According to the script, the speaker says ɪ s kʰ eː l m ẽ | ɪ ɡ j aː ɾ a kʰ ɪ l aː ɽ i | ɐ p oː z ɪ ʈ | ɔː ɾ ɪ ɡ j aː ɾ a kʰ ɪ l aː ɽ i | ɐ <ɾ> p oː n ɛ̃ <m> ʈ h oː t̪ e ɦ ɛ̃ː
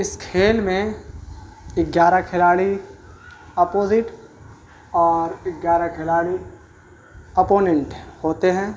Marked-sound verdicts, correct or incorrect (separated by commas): incorrect, incorrect